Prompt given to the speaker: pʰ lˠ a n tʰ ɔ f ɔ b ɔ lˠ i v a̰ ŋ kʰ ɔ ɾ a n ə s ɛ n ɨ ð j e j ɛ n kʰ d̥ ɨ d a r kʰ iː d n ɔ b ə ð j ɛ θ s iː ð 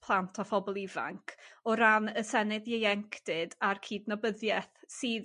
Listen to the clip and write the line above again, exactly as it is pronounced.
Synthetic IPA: pʰ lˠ a n tʰ ɔ f ɔ b ɔ lˠ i v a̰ ŋ kʰ ɔ ɾ a n ə s ɛ n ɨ ð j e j ɛ ŋ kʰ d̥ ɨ d a r kʰ iː d n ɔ b ə ð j ɛ θ s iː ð